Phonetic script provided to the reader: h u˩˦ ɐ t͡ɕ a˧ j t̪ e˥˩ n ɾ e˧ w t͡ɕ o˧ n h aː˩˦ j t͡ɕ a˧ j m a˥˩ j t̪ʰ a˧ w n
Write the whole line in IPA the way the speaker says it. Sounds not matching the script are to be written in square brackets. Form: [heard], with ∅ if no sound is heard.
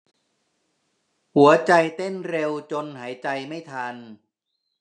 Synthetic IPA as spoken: h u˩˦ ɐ t͡ɕ a˧ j t̪ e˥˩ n ɾ e˧ w t͡ɕ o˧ n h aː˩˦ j t͡ɕ a˧ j m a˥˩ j t̪ʰ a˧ [∅] n